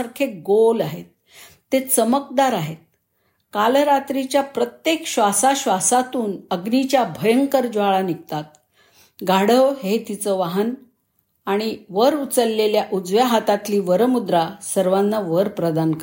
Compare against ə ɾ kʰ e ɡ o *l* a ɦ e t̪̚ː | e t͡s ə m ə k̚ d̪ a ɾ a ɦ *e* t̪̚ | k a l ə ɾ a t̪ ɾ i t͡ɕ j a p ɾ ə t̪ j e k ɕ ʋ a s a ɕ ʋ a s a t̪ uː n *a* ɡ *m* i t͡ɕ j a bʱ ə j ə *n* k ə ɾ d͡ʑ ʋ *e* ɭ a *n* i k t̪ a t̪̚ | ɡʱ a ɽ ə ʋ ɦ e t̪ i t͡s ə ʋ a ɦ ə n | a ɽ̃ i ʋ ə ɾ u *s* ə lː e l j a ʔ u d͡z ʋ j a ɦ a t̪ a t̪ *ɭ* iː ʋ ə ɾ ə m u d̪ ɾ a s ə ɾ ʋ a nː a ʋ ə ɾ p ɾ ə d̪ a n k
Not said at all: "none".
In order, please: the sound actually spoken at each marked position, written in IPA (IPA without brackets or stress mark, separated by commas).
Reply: l, e, ə, n, ŋ, a, n, t͡s, l